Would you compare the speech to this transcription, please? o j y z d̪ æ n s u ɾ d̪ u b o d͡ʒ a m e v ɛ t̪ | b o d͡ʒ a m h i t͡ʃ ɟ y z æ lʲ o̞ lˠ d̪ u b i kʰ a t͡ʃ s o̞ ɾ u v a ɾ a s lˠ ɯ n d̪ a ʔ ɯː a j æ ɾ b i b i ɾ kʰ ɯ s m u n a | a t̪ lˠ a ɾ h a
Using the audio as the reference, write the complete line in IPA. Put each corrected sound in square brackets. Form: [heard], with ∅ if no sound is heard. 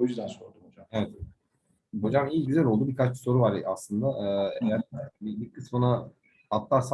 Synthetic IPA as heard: o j y z d̪ æ n s [o] ɾ d̪ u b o d͡ʒ a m e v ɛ t̪ | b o d͡ʒ a m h i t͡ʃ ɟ y z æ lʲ o̞ lˠ d̪ u b i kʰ a t͡ʃ s o̞ ɾ u v a ɾ a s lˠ ɯ n d̪ a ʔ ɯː [e] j æ ɾ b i b i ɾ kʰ ɯ s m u n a | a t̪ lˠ a ɾ [s] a

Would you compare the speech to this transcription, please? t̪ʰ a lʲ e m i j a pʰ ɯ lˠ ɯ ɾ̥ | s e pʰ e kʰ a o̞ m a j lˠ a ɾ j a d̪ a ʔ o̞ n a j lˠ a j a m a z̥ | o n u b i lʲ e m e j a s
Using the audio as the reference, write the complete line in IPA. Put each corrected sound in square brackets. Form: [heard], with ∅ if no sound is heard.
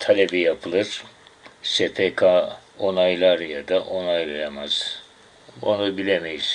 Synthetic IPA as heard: t̪ʰ a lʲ e [b] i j a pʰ ɯ lˠ ɯ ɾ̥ | s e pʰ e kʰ a o̞ [n] a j lˠ a ɾ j a d̪ a ʔ o̞ n a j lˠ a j a m a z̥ | o n u b i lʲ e m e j [i] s

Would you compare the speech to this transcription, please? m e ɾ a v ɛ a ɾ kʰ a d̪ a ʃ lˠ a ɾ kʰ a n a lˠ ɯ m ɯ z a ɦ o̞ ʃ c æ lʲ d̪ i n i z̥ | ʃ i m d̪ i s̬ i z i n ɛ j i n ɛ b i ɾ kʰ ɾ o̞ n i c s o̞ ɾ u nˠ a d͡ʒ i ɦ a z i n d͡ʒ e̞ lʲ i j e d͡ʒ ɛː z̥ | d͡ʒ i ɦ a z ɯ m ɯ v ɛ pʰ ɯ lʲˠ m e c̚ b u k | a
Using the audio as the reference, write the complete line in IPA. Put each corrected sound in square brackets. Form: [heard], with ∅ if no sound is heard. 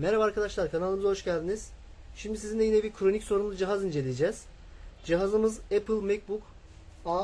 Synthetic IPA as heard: m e ɾ a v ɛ a ɾ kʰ a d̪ a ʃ lˠ a ɾ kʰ a n a lˠ ɯ m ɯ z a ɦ o̞ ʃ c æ lʲ d̪ i n i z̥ | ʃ i m d̪ i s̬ i z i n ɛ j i n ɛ b i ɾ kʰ ɾ o̞ n i c s o̞ ɾ u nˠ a d͡ʒ i ɦ a z i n d͡ʒ e̞ lʲ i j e d͡ʒ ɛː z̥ | d͡ʒ i ɦ a z ɯ m ɯ [z] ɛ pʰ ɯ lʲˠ m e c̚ b u k | a

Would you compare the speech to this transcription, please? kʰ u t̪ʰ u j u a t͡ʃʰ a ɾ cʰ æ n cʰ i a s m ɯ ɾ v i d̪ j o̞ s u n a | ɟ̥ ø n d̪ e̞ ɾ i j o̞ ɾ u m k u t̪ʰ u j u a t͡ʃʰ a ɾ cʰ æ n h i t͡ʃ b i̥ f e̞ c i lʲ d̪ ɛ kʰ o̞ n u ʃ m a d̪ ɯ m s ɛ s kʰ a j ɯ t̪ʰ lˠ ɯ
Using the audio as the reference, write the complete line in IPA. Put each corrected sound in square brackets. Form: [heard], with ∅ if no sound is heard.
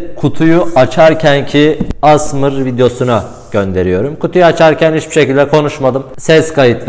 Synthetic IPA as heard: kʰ u t̪ʰ u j u a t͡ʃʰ a ɾ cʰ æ n cʰ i a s m ɯ ɾ v i d̪ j o̞ s u n a | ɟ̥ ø n d̪ e̞ ɾ i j o̞ ɾ u m k u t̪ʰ u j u a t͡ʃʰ a ɾ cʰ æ n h i t͡ʃ b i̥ [ʃ] e̞ c i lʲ d̪ ɛ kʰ o̞ n u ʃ m a d̪ ɯ m s ɛ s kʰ a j ɯ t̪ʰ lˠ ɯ

